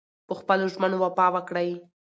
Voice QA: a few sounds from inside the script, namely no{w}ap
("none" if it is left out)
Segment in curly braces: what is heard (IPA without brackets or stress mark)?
w